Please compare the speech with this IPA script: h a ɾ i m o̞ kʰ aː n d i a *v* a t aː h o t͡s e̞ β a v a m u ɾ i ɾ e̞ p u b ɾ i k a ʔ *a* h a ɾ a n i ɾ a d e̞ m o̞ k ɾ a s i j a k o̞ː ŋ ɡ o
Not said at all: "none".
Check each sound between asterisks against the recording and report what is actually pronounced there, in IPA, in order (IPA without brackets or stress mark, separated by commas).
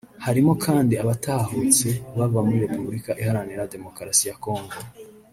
β, i